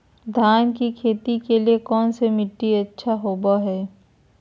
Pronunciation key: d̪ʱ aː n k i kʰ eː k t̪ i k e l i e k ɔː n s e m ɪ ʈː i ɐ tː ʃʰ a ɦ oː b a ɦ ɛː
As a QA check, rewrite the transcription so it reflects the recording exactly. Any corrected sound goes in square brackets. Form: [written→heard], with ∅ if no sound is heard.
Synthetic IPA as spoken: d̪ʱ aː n k i kʰ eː [k→∅] t̪ i k e l i e k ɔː n s e m ɪ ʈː i ɐ tː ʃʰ a ɦ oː b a ɦ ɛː

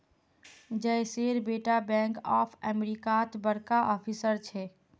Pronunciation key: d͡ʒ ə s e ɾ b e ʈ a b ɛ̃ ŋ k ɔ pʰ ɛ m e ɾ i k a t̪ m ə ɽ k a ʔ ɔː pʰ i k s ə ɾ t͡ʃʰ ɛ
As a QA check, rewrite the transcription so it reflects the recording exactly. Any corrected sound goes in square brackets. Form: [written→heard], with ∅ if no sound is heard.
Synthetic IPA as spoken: d͡ʒ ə s e ɾ b e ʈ a b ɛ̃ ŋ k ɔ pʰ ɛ m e ɾ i k a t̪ [m→b] ə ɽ k a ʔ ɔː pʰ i [k→∅] s ə ɾ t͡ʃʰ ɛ

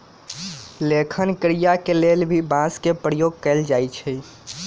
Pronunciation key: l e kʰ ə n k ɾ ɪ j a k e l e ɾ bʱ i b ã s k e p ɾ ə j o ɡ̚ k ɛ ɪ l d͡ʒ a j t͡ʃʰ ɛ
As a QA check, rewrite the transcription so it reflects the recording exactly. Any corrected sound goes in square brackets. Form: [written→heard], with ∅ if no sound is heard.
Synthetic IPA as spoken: l e kʰ ə n k ɾ [ɪ→i] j a k e l e [ɾ→l] bʱ i b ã s k e p ɾ ə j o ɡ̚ k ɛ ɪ l d͡ʒ a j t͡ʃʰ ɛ

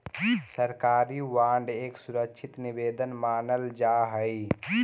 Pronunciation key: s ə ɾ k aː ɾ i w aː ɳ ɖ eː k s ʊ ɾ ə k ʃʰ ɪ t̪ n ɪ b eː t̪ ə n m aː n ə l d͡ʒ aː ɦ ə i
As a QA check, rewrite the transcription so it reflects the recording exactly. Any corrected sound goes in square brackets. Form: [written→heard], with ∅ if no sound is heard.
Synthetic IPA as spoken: s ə ɾ k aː ɾ i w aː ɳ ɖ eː k s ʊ ɾ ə k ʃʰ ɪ t̪ n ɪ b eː [t̪→d̪] ə n m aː n ə l d͡ʒ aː ɦ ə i

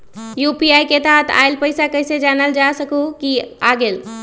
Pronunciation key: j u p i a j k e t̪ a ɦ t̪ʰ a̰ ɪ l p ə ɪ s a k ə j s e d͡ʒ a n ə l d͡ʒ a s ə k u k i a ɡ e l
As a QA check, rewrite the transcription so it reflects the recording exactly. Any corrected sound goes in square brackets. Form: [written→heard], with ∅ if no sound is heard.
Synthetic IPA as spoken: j u p i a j k e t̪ a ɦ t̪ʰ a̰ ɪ l p ə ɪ s a k ə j s e d͡ʒ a n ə l d͡ʒ a s ə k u k i a ɡ e l

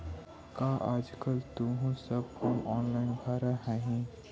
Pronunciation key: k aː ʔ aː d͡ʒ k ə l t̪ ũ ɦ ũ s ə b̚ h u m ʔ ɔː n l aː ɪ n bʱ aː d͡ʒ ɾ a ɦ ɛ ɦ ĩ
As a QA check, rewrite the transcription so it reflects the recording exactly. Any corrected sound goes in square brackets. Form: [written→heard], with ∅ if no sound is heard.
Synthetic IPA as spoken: k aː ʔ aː d͡ʒ k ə l t̪ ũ ɦ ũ s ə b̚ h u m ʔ ɔː n l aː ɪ n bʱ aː [d͡ʒ→∅] ɾ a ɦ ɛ ɦ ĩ

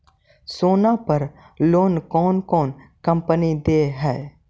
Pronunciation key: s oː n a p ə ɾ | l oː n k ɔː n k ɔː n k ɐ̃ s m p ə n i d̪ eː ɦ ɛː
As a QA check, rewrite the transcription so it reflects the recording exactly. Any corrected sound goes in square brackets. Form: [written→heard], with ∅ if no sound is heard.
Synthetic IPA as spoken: s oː n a p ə ɾ | l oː n k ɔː n k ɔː n k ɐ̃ [s→∅] m p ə n i d̪ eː ɦ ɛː

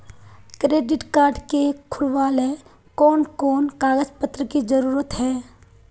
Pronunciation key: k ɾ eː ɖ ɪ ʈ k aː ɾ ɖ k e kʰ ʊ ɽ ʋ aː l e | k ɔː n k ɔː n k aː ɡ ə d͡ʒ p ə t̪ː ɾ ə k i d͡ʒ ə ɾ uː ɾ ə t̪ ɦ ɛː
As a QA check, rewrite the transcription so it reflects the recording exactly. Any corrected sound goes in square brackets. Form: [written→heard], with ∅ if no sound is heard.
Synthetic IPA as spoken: k ɾ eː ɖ ɪ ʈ k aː ɾ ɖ k e kʰ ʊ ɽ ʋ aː l e | k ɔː n k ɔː n k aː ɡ ə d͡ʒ p ə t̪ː ɾ ə k i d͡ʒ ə ɾ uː ɾ ə t̪ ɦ ɛː

